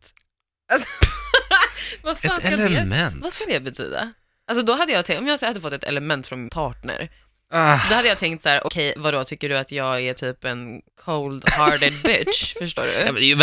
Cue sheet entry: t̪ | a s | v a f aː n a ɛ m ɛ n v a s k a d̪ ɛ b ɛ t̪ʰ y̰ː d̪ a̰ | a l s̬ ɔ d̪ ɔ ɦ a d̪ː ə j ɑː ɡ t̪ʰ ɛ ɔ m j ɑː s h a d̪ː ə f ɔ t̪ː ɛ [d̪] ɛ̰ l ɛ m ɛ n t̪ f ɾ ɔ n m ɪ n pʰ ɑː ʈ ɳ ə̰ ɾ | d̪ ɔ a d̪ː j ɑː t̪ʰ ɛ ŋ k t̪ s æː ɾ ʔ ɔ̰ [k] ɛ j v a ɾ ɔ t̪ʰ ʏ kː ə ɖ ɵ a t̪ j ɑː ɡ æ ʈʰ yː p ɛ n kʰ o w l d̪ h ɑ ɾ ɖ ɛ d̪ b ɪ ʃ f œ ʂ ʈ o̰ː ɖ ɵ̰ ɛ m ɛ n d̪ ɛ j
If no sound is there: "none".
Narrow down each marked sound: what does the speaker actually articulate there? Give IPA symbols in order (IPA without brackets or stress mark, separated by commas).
t̪, kʰ